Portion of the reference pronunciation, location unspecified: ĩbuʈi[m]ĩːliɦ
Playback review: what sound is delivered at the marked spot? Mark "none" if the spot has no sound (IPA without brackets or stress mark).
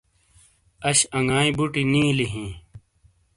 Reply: n